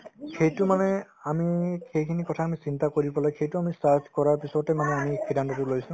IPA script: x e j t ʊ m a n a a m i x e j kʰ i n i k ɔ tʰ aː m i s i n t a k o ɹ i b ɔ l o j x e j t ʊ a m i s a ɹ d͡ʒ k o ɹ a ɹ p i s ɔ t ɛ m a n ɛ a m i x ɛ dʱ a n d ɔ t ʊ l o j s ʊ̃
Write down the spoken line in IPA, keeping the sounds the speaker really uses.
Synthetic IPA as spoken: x e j t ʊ m a n ɛ a m i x e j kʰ i n i k ɔ tʰ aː m i s i n t a k o ɹ i b ɔ l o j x e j t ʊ a m i s a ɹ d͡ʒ k ɔ ɹ a ɹ p i s ɔ t ɛ m a n ɛ a m i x i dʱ a n t ɔ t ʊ l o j s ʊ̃